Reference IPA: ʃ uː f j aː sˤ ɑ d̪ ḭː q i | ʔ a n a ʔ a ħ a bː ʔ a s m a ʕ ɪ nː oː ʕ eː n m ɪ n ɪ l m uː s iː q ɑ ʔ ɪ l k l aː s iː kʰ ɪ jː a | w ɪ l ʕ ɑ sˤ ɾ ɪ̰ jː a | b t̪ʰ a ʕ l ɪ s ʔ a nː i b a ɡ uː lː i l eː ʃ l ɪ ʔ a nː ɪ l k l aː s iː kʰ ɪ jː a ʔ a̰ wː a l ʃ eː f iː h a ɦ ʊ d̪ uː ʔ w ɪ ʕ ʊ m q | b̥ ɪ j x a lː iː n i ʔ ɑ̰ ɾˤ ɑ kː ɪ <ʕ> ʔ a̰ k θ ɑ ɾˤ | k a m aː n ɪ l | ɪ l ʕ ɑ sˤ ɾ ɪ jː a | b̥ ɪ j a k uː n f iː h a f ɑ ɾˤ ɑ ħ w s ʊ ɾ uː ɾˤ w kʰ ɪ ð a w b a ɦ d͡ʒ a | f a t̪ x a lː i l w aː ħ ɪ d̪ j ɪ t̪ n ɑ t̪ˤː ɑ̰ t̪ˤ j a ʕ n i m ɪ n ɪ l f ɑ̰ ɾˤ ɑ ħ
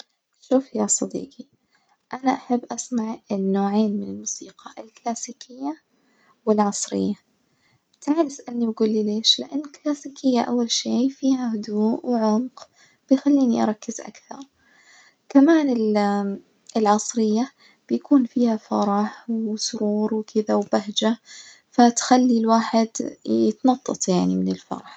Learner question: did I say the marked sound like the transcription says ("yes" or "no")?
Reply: no